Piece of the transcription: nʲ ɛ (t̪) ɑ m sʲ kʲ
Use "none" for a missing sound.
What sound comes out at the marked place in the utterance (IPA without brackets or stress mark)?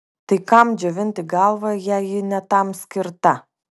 t̪